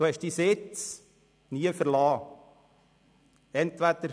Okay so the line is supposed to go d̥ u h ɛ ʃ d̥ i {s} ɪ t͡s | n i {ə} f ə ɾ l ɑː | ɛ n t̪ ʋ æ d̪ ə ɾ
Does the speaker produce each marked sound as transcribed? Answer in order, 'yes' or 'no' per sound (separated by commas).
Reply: yes, yes